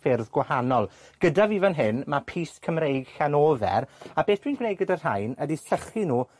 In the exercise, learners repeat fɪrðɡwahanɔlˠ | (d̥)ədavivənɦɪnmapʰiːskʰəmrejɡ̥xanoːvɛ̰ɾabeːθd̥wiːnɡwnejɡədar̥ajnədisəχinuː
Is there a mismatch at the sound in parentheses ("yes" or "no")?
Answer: yes